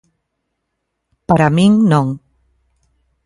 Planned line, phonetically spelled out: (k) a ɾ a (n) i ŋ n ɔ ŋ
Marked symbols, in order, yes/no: no, no

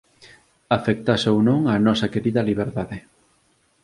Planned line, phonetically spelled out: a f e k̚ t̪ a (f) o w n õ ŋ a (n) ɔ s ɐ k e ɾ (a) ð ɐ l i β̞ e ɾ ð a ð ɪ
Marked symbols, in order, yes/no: no, yes, no

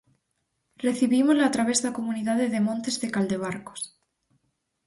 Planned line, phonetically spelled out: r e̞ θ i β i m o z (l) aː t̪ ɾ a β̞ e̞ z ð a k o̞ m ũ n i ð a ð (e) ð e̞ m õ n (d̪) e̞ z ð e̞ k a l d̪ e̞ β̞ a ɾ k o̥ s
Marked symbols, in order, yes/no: yes, yes, no

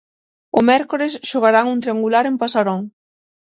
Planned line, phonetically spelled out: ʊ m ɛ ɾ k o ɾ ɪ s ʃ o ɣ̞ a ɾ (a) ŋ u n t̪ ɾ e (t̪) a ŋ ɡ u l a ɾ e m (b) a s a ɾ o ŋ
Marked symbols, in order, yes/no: yes, no, no

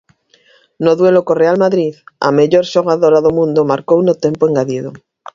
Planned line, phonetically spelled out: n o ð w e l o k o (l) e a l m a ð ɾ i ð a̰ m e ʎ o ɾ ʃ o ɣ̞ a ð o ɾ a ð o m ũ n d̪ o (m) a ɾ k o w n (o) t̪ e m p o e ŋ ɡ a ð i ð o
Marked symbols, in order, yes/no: no, yes, yes

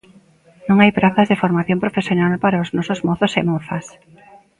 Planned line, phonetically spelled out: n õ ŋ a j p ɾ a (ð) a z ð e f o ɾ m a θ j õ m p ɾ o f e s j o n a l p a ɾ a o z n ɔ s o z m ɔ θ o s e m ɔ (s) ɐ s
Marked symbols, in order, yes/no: no, no

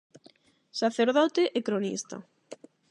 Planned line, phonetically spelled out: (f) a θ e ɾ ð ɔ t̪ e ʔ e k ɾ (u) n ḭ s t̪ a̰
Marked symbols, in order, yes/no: no, no

